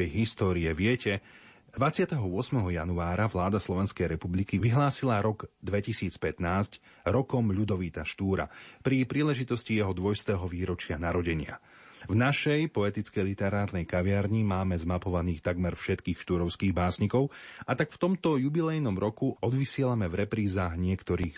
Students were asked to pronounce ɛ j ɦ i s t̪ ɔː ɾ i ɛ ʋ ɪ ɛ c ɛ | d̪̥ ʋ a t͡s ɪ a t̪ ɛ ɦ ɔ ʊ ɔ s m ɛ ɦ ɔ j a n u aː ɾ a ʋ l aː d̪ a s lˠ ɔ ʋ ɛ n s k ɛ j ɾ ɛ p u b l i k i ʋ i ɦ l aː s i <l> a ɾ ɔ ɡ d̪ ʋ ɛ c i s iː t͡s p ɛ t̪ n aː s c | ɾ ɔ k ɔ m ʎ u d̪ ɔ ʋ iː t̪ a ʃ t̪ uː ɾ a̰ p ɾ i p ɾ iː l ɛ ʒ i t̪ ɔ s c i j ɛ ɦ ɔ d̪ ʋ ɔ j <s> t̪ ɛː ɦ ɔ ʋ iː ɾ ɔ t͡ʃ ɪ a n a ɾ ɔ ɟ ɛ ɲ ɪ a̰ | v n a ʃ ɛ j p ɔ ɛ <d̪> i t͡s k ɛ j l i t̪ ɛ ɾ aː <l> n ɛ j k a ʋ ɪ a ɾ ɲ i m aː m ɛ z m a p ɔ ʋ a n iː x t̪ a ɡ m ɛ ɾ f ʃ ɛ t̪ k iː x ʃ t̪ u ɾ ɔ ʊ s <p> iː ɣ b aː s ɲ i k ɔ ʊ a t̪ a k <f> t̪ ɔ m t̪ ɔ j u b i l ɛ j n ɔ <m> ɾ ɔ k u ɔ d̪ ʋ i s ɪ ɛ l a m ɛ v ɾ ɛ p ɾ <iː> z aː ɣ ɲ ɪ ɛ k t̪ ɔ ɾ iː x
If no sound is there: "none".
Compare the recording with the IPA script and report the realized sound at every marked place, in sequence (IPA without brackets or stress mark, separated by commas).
l, s, t̪, ɾ, k, f, m, iː